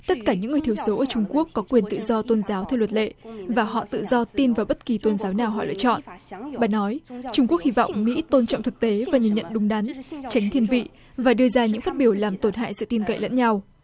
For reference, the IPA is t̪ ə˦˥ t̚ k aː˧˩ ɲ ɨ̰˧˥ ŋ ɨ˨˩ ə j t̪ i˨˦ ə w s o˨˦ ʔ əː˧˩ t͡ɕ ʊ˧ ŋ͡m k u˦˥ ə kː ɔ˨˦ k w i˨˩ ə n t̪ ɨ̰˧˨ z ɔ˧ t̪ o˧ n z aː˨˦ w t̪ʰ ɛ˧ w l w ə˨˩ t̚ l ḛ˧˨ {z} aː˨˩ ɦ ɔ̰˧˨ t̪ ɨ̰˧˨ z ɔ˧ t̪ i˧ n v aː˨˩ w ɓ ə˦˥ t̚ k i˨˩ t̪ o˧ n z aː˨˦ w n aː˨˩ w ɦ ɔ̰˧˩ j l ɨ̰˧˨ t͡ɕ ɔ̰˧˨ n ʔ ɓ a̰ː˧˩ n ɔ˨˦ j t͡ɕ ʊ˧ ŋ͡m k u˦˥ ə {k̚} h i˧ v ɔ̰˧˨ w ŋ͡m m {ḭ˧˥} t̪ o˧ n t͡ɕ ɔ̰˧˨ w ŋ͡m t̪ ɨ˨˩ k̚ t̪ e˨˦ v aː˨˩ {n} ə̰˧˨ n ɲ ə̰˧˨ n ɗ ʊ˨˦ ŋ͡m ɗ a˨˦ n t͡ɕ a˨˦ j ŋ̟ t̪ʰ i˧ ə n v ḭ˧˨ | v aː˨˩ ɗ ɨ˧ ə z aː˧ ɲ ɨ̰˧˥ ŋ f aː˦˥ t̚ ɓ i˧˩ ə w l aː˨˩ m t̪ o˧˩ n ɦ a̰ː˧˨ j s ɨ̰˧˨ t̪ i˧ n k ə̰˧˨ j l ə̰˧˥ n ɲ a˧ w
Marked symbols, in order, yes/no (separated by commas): no, yes, yes, no